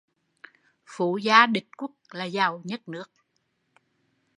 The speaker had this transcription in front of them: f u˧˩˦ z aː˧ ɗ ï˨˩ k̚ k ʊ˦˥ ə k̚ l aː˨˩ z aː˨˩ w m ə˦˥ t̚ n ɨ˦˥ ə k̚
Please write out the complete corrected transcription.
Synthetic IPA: f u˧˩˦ z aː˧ ɗ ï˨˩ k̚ k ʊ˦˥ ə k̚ l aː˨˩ z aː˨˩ w ɲ ə˦˥ t̚ n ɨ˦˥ ə k̚